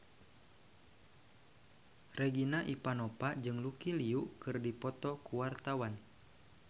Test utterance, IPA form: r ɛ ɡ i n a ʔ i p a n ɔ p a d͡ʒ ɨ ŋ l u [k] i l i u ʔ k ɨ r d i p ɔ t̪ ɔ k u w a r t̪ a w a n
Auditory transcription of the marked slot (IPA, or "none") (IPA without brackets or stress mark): k